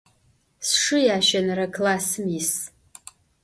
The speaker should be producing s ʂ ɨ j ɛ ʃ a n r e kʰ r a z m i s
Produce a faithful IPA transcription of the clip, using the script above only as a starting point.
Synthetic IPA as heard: s ʂ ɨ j a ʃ a n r a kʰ l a s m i s